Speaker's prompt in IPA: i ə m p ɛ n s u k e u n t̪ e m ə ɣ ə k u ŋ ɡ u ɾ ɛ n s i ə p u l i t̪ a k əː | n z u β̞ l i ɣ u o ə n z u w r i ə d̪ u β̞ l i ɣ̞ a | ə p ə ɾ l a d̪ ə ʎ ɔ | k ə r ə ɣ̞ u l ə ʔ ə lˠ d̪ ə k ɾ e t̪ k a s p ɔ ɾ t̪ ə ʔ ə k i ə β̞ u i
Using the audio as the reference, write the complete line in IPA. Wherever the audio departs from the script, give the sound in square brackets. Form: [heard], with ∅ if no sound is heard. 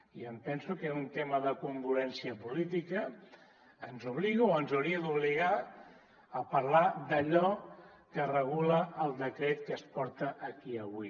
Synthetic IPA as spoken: i ə m p ɛ n s u k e u n t̪ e m ə [ð] ə k u ŋ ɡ u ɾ ɛ n s i ə p u l i t̪ [i] k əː | n z u β̞ l i ɣ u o ə n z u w [ɾ] i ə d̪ u β̞ l i ɣ̞ a | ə p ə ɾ l a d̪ ə ʎ ɔ | k ə r ə ɣ̞ u l ə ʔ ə lˠ d̪ ə k ɾ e t̪ k [ə] s p ɔ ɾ t̪ ə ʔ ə k i ə β̞ u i